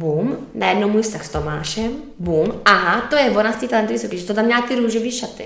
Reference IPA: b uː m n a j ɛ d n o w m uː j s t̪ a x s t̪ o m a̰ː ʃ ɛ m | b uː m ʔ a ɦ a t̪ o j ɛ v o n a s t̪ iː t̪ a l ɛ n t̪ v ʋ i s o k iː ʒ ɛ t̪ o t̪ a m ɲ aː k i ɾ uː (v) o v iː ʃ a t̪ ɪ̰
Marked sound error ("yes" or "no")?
yes